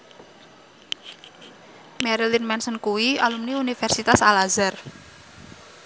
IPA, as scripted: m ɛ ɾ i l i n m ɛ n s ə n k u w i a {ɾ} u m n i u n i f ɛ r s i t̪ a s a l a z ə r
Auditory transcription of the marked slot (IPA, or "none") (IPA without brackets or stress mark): l